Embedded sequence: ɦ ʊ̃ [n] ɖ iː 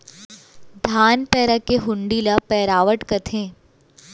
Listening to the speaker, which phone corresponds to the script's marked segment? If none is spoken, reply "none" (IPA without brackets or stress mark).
ɳ